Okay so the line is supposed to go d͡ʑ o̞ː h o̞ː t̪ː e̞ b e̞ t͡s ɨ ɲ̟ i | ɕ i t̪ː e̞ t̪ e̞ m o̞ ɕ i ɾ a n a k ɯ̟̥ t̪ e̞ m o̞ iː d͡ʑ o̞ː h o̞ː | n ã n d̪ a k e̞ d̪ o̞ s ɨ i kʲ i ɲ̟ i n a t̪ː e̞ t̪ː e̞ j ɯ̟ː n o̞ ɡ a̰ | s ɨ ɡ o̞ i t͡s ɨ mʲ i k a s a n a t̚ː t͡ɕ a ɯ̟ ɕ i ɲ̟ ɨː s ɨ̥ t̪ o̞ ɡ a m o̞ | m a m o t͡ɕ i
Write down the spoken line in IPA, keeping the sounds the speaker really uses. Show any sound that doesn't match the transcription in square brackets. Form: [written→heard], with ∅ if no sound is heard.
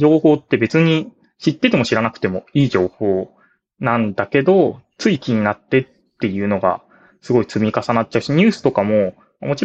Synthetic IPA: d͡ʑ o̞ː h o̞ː t̪ː e̞ b e̞ t͡s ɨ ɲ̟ i | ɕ i t̪ː e̞ t̪ e̞ m o̞ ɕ i ɾ a n a k ɯ̟̥ t̪ e̞ m o̞ iː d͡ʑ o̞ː h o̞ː | n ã n d̪ a k e̞ d̪ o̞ [s→t͡s] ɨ i kʲ i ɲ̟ i n a t̪ː e̞ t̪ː e̞ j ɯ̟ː n o̞ ɡ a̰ | s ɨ ɡ o̞ i t͡s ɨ mʲ i k a s a n a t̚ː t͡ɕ a ɯ̟ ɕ i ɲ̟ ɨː s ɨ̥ t̪ o̞ [ɡ→k] a m o̞ | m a m o t͡ɕ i